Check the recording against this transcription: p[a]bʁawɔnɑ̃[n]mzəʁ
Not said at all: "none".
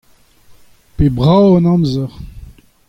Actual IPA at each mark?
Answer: e, none

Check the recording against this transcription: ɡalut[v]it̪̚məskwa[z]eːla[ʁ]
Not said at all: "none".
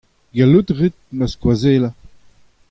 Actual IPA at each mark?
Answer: ʁ, z, none

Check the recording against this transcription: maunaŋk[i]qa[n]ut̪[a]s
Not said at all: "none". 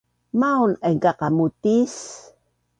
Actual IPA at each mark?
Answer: a, m, i

